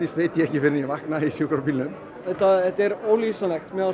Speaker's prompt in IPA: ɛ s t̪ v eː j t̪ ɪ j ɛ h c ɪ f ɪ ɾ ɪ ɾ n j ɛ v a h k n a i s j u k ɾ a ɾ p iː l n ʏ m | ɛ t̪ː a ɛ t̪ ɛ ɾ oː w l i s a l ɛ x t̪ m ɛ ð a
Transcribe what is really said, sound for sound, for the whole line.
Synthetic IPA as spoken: i s t̪ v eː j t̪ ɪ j ɛ h c ɪ f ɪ ɾ ɪ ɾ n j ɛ v a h k n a i s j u k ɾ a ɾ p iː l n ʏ m | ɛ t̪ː a ɛ t̪ ɛ ɾ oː w l i s a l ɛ x t̪ m ɛ ð a

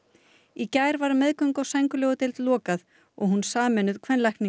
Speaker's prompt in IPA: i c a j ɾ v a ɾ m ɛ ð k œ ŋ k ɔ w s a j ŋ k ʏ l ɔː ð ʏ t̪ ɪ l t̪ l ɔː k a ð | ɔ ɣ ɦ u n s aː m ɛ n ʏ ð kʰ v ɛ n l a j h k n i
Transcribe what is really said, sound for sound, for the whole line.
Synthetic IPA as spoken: i c a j ɾ v a ɾ m ɛ ð k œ ŋ k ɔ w s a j ŋ k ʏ l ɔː ɣ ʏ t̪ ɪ l t̪ l ɔː k a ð | ɔ ɣ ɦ u n s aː m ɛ n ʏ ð kʰ v ɛ n l a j h k n i

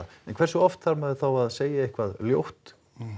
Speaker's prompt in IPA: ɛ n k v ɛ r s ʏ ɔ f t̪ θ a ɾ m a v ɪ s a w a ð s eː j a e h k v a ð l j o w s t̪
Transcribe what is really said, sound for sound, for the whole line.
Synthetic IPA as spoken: ɛ n kʰ v ɛ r s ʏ ɔ f t̪ θ a ɾ m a ð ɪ θ a w a ð s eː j a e h k v a ð l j o w h t̪

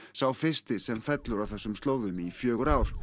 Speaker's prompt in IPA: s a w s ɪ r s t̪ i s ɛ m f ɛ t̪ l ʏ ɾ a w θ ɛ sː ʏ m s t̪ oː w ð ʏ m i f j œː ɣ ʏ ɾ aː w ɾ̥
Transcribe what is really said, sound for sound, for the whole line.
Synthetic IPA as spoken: s a w f ɪ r s t̪ ɪ s ɛ m f ɛ t̪ l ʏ ɾ a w θ ɛ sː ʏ m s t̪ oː w ð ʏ m i f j œː ɣ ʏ ɾ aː w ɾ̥

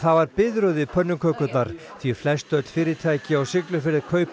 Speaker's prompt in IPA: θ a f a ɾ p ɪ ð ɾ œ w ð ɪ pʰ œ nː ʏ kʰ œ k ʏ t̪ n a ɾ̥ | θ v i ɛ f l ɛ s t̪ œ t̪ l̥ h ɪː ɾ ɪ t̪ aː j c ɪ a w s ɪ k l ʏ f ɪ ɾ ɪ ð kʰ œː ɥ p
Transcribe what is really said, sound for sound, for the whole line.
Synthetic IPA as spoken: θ a v a ɾ p ɪ ð ɾ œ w ð ɪ pʰ œ nː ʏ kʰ œ k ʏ t̪ n a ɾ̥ | θ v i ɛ f l ɛ s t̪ œ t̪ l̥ f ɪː ɾ ɪ t̪ʰ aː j c ɪ a w s ɪ k l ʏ f ɪ ɾ ɪ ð kʰ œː ɥ p

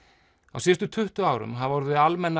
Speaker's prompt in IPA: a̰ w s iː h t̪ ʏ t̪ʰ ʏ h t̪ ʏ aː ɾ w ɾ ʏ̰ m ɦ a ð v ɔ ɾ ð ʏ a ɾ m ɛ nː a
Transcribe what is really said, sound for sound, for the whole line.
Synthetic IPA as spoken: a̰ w s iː s t̪ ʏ t̪ʰ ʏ h t̪ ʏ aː w ɾ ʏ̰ m ɦ a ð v ɔ ɾ ð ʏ a l m ɛ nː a

